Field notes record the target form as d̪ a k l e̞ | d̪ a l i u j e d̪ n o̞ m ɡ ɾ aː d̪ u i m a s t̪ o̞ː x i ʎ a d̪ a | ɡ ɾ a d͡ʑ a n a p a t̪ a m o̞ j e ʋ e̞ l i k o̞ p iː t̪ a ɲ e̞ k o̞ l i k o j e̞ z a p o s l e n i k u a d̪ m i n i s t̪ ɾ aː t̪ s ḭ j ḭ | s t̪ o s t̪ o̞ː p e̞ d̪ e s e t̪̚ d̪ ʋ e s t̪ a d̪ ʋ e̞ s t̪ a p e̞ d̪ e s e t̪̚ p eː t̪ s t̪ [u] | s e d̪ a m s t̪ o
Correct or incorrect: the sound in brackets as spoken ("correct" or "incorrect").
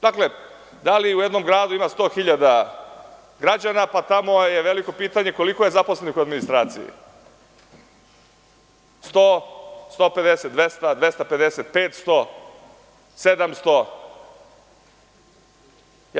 incorrect